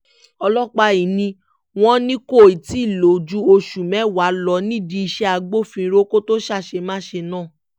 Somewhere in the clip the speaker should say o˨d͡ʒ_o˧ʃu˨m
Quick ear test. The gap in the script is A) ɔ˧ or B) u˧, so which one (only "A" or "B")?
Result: B